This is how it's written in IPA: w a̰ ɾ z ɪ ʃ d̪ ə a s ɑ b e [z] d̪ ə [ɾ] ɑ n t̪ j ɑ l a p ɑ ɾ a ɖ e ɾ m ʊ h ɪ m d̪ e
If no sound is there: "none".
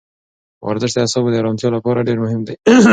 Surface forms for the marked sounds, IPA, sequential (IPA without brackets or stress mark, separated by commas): none, ɾ